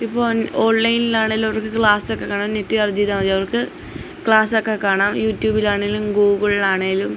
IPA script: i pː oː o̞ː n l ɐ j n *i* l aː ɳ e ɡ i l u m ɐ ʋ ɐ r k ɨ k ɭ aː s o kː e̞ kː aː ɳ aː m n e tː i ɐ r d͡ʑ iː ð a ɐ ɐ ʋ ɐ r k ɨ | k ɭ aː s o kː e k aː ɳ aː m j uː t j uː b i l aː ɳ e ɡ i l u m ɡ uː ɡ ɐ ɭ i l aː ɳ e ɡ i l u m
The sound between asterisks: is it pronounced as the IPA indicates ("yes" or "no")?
yes